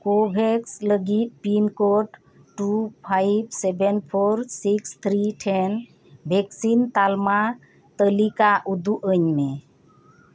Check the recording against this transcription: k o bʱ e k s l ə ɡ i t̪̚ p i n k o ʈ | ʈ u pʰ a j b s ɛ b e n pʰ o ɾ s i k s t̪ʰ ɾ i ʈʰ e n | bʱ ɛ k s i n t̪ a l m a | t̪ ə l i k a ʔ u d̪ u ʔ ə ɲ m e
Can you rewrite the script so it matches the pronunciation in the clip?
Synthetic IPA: k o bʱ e k s l ə ɡ i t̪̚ p i n k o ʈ | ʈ u pʰ a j b s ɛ b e n pʰ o ɾ s i k s t̪ʰ ɾ i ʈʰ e n | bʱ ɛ k s i n t̪ a l m a | t̪ ə l i k a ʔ u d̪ u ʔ ə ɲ m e